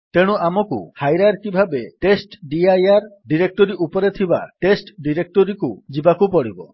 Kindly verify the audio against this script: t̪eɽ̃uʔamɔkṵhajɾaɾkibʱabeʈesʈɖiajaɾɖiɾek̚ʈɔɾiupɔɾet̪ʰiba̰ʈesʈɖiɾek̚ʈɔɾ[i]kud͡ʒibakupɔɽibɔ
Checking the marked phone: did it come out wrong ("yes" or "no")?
no